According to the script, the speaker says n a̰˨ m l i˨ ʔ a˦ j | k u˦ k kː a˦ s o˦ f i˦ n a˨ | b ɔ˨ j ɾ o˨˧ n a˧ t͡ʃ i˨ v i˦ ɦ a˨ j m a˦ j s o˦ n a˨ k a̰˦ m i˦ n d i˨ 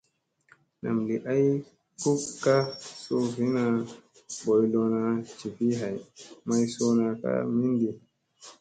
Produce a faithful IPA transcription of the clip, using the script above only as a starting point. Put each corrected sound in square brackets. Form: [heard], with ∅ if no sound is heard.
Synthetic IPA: n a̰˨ m l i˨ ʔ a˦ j | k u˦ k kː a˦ s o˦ [v] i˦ n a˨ | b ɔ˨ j [l] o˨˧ n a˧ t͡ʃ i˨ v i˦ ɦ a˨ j m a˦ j s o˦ n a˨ k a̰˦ m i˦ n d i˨